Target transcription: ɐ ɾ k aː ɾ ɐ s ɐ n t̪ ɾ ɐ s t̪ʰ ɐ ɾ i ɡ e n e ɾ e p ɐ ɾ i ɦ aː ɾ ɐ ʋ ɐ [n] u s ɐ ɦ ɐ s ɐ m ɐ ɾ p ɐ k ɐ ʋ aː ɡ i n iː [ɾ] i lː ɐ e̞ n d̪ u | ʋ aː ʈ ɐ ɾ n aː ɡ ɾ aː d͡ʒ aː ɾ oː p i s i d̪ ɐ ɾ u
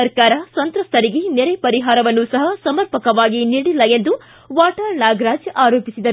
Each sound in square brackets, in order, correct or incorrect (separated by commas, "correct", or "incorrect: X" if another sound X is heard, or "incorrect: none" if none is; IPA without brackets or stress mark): incorrect: nː, incorrect: ɽ